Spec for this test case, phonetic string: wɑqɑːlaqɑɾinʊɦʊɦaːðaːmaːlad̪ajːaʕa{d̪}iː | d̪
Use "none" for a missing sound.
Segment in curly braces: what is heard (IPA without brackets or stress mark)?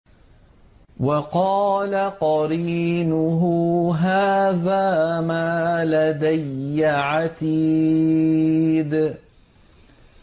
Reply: t̪